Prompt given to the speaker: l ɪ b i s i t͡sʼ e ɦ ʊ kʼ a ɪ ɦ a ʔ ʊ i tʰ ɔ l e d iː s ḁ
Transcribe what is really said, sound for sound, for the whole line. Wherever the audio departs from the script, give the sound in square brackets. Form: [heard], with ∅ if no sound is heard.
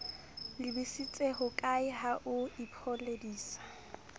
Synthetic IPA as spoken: l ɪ b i s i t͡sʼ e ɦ ʊ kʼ a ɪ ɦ a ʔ ʊ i [pʰ] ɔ l e d iː s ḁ